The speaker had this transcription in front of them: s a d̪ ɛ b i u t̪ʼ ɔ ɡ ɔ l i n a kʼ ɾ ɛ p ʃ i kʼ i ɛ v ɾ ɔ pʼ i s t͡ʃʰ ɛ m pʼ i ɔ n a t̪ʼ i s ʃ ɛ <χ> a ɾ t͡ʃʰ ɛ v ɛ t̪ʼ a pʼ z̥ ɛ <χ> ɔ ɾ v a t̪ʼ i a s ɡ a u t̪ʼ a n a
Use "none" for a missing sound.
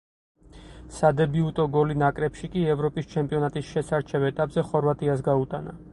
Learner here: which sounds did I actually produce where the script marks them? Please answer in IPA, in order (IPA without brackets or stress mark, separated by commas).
s, χ